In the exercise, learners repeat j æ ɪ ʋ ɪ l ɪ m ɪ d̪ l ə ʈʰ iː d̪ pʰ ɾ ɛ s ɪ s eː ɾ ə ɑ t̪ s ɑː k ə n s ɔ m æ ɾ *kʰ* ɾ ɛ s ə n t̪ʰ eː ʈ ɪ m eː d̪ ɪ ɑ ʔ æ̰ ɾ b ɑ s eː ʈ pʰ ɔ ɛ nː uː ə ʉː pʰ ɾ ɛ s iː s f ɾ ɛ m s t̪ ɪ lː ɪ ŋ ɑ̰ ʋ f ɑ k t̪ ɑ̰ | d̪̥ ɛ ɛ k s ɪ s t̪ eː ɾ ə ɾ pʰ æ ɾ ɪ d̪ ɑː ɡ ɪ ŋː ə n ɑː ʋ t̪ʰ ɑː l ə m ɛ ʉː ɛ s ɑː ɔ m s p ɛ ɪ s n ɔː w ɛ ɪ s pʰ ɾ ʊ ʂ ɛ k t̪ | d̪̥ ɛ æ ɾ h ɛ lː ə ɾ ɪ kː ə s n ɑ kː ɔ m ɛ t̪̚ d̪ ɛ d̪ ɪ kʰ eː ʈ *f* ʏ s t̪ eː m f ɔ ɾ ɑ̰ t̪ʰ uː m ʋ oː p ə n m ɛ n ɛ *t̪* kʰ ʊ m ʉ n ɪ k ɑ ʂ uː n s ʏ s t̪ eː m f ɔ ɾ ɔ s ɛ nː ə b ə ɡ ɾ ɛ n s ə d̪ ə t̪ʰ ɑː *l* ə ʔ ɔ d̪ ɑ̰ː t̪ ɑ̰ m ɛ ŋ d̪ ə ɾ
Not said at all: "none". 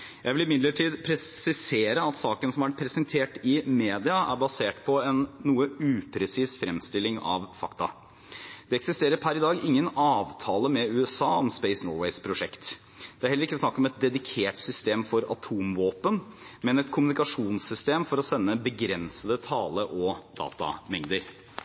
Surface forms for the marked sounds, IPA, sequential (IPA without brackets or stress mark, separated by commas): pʰ, s, t̪, l